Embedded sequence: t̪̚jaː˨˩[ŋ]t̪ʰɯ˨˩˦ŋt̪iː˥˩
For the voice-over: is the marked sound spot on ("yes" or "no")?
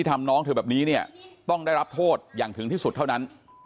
yes